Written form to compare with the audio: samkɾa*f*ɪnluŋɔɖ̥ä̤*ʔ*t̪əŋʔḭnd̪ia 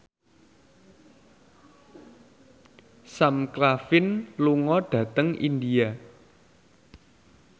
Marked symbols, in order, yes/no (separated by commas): yes, no